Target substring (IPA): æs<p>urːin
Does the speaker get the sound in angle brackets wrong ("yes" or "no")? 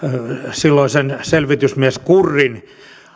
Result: yes